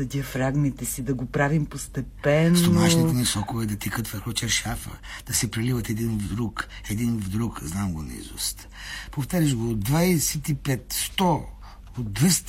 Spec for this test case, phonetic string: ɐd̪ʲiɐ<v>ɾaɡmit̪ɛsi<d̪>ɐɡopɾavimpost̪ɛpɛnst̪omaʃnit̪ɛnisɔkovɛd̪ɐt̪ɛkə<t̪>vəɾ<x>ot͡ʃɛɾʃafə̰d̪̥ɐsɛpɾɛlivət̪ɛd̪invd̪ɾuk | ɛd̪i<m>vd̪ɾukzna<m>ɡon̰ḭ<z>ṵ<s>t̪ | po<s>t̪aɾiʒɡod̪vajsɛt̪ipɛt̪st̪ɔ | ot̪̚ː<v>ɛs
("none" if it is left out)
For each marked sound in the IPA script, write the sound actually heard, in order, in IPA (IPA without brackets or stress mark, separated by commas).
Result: f, d̪, t̪, x, n, m, z, s, f, v